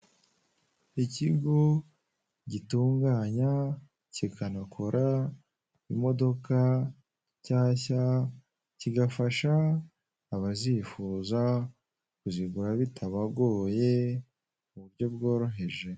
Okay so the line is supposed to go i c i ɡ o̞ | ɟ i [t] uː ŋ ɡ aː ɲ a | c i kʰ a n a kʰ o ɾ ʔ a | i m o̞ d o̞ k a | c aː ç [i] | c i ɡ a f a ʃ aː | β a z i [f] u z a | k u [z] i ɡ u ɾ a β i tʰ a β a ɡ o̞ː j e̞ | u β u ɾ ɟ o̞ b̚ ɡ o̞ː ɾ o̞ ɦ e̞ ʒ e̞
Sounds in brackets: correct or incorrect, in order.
correct, incorrect: a, correct, correct

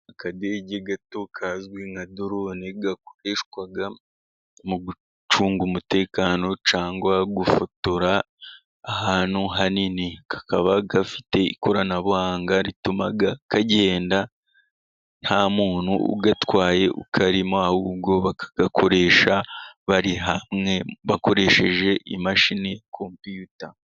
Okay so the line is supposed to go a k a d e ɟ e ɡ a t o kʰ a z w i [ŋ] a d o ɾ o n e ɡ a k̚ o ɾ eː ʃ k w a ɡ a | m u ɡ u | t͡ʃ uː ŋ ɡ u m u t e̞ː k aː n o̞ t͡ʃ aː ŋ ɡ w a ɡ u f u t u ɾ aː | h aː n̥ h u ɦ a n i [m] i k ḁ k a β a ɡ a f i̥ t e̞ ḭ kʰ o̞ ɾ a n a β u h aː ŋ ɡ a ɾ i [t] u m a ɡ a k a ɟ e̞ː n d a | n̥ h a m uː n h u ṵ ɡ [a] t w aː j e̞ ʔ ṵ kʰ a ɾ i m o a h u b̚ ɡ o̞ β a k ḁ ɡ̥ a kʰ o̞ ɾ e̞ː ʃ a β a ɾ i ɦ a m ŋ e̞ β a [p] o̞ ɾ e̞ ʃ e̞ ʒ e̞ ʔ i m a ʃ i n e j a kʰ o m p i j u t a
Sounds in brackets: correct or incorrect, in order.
correct, incorrect: n, correct, correct, incorrect: k

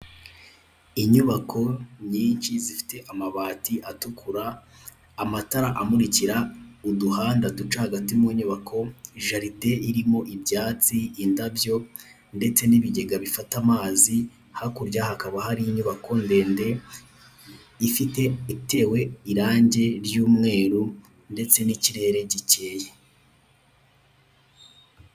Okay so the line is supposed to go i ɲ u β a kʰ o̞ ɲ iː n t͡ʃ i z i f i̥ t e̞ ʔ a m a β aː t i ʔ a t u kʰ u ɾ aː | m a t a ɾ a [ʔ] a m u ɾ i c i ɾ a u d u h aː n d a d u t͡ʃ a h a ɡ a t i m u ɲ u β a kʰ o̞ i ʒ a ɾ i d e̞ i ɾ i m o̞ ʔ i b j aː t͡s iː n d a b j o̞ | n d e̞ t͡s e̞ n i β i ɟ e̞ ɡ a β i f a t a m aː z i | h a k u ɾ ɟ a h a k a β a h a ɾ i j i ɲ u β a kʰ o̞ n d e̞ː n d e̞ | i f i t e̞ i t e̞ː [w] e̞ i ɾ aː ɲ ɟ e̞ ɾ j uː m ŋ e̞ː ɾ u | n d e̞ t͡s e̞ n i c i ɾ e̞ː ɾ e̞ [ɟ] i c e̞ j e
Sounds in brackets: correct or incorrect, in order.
correct, correct, correct

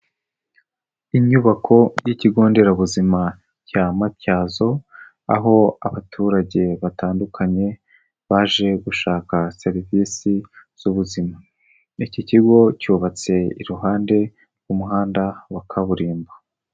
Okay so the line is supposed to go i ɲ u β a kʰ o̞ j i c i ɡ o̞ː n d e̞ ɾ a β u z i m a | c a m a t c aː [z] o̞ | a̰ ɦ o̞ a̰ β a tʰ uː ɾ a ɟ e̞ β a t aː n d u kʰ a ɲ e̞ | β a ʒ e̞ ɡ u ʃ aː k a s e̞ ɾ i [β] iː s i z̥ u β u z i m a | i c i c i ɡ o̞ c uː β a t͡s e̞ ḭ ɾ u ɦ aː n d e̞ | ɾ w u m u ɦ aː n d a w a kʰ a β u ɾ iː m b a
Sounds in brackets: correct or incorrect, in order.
correct, incorrect: v

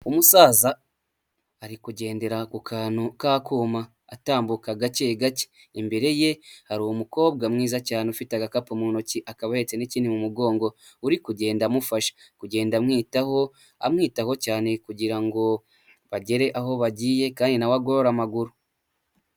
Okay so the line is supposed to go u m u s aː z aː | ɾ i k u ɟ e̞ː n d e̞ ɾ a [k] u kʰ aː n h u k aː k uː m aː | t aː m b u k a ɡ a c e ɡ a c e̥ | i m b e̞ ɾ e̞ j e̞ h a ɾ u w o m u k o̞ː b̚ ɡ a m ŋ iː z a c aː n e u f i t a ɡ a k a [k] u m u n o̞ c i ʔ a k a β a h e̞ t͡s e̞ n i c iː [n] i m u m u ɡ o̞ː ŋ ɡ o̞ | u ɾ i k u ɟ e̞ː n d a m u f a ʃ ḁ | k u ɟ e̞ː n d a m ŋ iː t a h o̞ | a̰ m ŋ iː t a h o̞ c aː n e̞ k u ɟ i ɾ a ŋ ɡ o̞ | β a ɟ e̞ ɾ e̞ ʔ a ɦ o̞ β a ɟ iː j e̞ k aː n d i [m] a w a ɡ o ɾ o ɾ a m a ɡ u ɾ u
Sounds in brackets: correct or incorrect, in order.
correct, incorrect: p, correct, incorrect: n

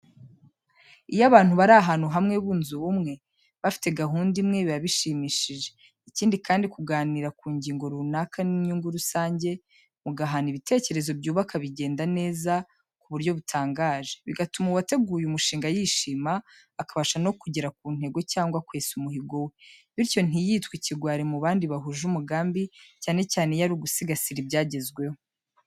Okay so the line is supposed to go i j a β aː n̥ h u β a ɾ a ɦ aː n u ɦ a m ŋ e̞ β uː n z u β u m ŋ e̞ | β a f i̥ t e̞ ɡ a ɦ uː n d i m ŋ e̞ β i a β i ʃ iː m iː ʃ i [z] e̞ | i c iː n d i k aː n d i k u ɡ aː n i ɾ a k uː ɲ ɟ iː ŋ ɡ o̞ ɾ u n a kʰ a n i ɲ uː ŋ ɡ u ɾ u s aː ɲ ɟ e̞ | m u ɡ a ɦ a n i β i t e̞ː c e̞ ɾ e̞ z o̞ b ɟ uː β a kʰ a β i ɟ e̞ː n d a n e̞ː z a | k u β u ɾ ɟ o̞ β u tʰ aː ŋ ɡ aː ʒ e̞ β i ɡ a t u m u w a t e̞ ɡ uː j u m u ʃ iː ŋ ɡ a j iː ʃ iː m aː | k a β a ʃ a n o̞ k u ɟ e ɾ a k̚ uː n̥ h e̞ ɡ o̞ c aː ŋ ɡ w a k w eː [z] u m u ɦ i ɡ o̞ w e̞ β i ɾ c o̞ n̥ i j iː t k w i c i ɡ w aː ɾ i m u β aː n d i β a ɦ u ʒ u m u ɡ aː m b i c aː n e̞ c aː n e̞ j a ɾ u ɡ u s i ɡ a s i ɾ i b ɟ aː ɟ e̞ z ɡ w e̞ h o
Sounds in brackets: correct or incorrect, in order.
incorrect: ʒ, incorrect: s

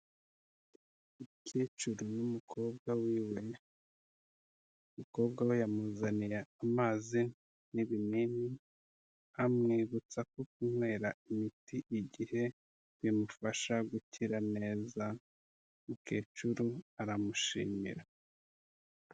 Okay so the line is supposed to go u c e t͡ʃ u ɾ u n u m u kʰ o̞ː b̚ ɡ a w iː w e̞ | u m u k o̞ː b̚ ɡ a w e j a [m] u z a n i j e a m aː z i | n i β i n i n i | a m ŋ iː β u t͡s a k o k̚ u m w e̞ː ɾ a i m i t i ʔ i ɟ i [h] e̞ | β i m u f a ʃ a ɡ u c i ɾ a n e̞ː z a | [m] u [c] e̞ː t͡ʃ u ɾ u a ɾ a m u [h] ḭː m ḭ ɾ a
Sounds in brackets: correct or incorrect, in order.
correct, correct, correct, incorrect: k, incorrect: ʃ

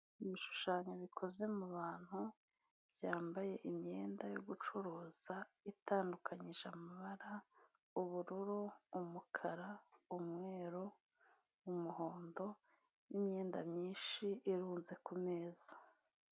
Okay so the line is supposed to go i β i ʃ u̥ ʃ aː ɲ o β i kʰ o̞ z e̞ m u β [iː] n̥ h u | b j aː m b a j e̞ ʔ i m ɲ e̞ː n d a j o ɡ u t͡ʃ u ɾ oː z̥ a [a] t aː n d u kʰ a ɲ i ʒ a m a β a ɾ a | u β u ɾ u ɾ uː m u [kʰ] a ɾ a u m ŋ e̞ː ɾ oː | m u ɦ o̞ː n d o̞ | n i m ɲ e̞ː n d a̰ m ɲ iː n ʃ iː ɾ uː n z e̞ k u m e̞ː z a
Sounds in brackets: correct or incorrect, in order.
incorrect: aː, incorrect: i, correct

